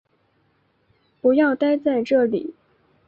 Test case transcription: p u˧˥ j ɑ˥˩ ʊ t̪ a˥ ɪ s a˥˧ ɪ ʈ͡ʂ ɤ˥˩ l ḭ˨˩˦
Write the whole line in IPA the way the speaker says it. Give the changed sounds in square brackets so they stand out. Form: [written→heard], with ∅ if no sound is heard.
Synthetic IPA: p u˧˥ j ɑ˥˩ ʊ t̪ a˥ ɪ [s→t͡s] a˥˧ ɪ ʈ͡ʂ ɤ˥˩ l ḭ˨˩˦